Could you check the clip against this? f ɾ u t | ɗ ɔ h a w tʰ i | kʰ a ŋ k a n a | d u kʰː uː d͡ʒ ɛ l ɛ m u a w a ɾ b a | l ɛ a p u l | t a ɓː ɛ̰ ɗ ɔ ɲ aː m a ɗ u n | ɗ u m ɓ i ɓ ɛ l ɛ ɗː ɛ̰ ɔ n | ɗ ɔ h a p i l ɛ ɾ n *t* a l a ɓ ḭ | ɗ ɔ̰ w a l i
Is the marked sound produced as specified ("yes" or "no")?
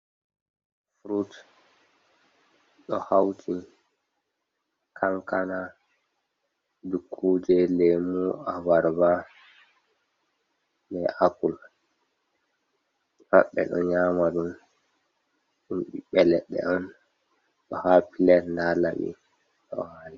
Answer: no